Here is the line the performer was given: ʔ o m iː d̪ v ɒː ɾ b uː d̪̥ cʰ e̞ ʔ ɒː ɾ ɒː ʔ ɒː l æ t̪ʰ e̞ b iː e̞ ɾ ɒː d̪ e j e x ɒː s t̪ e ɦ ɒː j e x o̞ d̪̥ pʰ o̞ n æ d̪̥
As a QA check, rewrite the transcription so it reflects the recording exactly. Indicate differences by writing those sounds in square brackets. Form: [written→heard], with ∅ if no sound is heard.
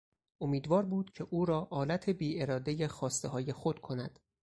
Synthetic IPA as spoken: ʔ o m iː d̪ v ɒː ɾ b uː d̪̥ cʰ e̞ ʔ [ɒː→uː] ɾ ɒː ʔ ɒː l æ t̪ʰ e̞ b iː e̞ ɾ ɒː d̪ e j e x ɒː s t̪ e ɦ ɒː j e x o̞ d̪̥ [pʰ→kʰ] o̞ n æ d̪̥